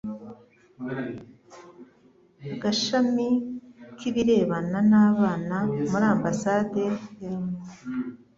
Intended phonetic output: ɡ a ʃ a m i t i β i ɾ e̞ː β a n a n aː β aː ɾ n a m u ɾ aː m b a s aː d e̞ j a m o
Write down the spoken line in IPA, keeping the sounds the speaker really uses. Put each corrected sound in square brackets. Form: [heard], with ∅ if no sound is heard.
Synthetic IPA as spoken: ɡ a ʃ a m i [k] i β i ɾ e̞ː β a n a n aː β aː [∅] n a m u ɾ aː m b a s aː d e̞ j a m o